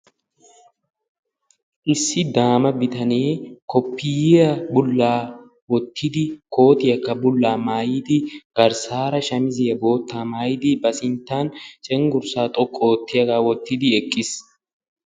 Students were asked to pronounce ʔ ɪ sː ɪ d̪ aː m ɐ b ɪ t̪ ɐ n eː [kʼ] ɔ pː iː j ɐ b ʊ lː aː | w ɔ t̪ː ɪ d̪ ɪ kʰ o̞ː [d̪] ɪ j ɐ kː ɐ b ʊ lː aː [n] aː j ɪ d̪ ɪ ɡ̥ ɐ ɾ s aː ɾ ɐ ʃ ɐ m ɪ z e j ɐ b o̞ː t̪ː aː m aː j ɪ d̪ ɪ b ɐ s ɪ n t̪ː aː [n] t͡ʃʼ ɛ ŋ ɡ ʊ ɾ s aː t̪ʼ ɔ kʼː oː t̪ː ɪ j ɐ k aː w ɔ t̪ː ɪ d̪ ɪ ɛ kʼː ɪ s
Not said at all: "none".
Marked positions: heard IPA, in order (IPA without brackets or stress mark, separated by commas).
k, t̪, m, n